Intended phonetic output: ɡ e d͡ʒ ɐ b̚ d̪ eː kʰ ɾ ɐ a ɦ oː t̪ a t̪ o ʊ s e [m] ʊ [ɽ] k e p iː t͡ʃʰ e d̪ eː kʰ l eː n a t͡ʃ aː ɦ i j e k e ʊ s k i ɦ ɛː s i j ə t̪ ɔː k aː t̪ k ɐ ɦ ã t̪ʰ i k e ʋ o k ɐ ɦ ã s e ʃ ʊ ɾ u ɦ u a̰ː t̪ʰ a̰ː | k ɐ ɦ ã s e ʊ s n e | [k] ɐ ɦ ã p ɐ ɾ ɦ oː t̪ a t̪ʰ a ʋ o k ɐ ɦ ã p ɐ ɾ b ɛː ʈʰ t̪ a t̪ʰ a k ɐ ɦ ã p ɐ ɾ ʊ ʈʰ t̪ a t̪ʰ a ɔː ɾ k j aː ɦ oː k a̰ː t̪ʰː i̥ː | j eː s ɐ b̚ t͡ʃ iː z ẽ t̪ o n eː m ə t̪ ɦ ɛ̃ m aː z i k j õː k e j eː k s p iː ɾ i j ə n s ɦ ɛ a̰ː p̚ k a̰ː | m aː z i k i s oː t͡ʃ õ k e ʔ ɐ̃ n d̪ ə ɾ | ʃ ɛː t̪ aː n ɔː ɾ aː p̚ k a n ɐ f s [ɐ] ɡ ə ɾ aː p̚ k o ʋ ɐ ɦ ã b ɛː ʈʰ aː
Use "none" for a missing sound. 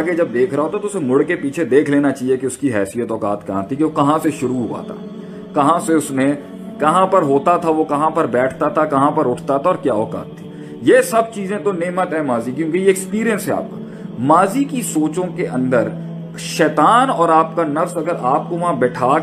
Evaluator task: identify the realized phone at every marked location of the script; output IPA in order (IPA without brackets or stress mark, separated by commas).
m, ɽ, k, ɐ